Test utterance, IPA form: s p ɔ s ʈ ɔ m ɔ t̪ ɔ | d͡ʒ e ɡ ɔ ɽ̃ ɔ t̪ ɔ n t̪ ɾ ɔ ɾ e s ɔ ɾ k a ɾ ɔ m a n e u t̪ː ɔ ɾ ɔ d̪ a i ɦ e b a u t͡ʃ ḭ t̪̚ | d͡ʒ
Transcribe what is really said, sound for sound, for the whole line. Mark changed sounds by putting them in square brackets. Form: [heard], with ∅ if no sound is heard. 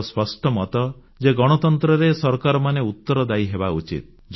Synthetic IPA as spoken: s p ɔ s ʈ ɔ m ɔ t̪ ɔ | d͡ʒ e ɡ ɔ ɽ̃ ɔ t̪ ɔ n t̪ ɾ ɔ ɾ e s ɔ ɾ k a ɾ ɔ m a n e u t̪ː ɔ ɾ ɔ d̪ a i ɦ e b a u t͡ʃ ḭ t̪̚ | d͡ʒ